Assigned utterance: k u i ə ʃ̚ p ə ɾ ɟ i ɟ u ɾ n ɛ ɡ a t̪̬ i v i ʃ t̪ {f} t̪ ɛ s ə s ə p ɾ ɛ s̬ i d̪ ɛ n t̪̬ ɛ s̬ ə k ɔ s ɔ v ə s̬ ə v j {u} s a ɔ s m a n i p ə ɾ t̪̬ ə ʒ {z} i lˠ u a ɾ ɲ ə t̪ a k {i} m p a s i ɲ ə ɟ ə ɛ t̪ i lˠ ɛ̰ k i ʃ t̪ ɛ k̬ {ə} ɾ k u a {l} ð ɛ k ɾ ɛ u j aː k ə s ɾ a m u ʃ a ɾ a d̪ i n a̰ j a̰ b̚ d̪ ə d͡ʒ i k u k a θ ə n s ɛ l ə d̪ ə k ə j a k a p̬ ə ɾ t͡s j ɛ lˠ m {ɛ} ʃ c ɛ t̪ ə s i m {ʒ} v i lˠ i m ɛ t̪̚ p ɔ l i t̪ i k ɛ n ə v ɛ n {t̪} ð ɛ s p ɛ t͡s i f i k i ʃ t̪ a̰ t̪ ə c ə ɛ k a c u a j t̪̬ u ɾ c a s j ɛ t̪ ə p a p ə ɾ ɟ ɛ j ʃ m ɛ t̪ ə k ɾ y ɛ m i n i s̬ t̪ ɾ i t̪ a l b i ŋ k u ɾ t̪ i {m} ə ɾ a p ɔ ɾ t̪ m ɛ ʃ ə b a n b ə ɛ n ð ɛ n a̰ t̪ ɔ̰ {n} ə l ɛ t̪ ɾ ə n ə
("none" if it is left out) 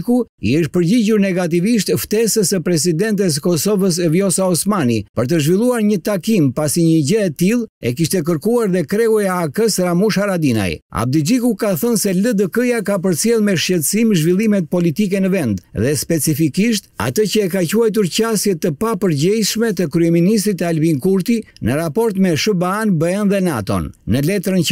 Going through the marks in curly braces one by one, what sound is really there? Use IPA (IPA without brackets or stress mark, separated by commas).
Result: f, ɔ, v, i, ə, ɾ, ɛ, ʒ, d̪, n, nː